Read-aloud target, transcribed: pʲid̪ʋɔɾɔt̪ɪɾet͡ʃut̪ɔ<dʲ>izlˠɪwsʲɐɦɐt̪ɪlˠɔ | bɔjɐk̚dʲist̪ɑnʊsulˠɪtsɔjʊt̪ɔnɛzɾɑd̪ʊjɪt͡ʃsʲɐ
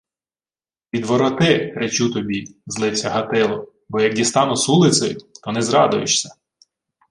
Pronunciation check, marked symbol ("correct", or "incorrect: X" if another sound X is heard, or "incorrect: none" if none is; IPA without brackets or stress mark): incorrect: bʲ